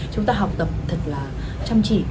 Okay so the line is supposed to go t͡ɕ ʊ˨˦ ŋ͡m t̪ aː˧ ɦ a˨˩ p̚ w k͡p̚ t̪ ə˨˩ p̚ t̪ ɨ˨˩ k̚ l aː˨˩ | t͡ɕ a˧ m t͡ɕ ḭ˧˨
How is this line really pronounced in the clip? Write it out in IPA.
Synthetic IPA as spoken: t͡ɕ ʊ˨˦ ŋ͡m t̪ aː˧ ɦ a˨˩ w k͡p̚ t̪ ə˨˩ p̚ t̪ʰ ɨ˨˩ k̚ l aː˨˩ | t͡ɕ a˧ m t͡ɕ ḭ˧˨